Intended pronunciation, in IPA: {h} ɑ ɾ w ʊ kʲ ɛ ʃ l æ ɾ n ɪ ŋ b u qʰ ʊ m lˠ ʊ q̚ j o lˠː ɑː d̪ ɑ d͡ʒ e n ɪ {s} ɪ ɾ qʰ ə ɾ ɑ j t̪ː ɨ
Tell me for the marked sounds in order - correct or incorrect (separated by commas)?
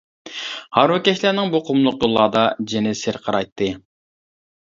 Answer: correct, correct